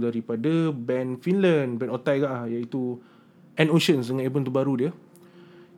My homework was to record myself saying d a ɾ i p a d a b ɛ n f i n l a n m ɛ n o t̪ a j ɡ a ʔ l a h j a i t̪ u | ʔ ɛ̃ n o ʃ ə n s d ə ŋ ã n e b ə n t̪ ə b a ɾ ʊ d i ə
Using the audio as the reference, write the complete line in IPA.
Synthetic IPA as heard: d a ɾ i p a d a b ɛ n f i n l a n b ɛ n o t̪ a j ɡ a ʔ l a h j a i t̪ u | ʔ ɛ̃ n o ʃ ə n s d ə ŋ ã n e b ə n t̪ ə b a ɾ u d i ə